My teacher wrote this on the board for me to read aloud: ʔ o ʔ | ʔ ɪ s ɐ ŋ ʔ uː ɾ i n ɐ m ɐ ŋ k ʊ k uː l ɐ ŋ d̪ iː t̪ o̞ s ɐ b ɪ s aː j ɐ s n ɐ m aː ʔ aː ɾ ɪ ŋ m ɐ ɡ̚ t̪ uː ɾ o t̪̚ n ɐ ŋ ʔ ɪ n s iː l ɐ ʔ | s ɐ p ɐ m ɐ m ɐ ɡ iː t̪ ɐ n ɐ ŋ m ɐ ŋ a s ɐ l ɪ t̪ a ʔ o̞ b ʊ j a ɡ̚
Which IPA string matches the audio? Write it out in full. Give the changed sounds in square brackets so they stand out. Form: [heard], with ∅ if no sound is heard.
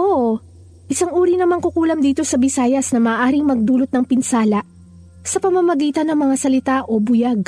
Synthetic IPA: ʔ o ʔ | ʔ ɪ s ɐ ŋ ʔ uː ɾ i n ɐ m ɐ ŋ k ʊ k uː l ɐ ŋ d̪ iː t̪ o̞ s ɐ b ɪ s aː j ɐ s n ɐ m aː ʔ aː ɾ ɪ ŋ m ɐ ɡ̚ [d̪] uː [l] o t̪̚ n ɐ ŋ [p] ɪ n s [aː] l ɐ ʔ | s ɐ p ɐ m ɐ m ɐ ɡ iː t̪ ɐ n ɐ ŋ m ɐ ŋ a s ɐ l ɪ t̪ a ʔ o̞ b ʊ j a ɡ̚